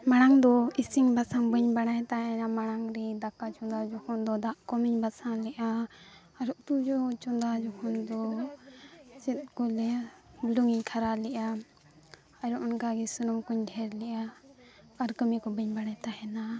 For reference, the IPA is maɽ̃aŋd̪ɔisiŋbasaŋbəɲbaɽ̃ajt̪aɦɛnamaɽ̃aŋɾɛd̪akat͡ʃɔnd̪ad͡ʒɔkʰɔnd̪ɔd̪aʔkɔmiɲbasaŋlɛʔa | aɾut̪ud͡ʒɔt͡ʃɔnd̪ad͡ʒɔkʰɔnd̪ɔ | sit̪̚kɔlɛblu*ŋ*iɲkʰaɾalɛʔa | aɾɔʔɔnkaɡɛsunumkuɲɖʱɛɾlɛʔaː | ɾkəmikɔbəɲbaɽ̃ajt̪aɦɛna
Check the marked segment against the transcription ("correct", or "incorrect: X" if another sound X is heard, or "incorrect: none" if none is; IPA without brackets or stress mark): correct